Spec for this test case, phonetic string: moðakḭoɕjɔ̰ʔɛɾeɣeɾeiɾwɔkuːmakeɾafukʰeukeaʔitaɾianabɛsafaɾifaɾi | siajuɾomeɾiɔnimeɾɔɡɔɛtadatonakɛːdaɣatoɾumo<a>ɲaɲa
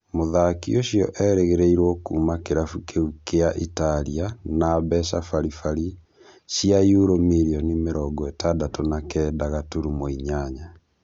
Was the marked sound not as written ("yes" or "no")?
yes